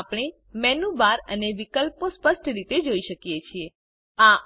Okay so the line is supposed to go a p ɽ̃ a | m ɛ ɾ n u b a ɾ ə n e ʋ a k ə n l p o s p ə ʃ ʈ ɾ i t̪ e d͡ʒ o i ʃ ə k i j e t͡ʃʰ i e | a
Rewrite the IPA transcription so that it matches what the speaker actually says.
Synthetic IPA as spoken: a p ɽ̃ e | m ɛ n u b a ɾ ə n e ʋ i k ə l p o s p ə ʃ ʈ ɾ i t̪ e d͡ʒ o i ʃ ə k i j e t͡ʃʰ i e | a